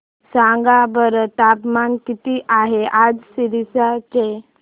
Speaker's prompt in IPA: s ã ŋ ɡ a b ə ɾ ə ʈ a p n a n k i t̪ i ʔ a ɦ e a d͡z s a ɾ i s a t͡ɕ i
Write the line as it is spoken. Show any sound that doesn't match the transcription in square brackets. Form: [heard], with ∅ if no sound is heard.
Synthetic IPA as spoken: s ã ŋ ɡ a b ə ɾ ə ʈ a p [m] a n k i t̪ i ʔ a ɦ e a d͡z s [i] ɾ i s a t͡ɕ [e]